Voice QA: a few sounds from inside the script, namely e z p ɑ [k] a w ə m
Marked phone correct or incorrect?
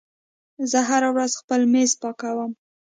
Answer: correct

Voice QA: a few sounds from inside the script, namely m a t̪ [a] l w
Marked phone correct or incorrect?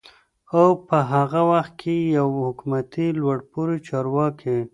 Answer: incorrect: i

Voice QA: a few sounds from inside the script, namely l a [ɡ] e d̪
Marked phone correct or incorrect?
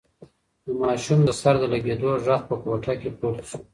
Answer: correct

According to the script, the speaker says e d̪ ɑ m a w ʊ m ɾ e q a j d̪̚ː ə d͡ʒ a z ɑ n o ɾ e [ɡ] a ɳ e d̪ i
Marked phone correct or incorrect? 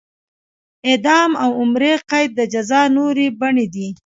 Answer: incorrect: b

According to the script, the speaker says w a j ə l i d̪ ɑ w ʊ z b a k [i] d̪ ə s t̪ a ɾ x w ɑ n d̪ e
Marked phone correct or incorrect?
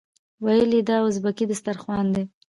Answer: correct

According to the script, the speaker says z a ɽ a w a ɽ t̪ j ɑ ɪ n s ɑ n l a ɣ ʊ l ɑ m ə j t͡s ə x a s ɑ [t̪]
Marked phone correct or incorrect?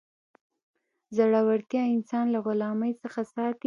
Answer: correct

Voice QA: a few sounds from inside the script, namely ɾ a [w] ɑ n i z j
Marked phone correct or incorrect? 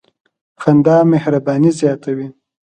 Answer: incorrect: b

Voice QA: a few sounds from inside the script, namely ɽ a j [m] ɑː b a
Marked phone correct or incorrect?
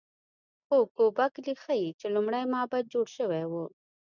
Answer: correct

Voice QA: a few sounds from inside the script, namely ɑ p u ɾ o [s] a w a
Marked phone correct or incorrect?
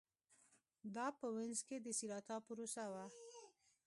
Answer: correct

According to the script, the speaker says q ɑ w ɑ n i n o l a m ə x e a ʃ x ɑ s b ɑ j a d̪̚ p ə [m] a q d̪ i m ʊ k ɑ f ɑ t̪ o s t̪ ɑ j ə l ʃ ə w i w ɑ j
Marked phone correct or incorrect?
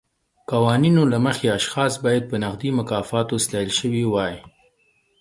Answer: incorrect: n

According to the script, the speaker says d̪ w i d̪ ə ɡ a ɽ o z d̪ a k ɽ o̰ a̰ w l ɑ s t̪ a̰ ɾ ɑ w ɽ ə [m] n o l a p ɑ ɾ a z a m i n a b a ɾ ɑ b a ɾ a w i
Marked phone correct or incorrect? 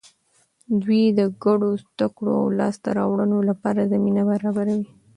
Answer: incorrect: none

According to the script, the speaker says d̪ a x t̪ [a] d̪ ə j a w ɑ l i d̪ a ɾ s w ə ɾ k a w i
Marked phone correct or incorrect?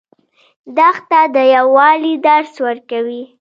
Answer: correct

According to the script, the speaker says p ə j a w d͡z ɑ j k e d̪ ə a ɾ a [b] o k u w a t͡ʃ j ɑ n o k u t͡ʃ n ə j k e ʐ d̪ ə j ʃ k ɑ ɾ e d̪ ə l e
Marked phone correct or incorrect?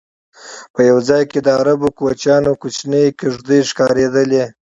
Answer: correct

